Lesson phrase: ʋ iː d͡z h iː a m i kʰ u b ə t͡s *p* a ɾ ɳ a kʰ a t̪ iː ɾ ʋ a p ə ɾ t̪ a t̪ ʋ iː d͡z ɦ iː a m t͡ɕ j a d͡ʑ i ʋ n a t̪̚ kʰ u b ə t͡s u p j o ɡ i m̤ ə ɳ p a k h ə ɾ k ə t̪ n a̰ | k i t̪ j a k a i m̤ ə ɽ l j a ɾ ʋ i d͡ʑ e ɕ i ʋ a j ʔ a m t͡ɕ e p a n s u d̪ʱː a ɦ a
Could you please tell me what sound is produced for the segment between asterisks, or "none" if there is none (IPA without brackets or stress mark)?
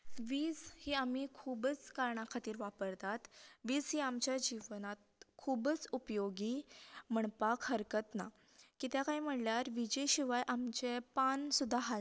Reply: k